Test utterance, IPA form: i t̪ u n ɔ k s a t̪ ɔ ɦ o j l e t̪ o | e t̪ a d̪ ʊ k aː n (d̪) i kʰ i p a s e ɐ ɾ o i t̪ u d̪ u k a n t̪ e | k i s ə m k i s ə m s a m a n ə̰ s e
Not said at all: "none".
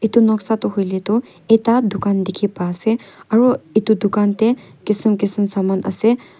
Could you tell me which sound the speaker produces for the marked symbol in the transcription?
d̪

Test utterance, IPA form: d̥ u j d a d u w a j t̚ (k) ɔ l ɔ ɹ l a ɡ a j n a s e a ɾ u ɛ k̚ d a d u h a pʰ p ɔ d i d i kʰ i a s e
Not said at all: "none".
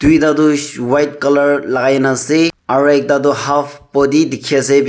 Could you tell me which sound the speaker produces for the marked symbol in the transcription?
k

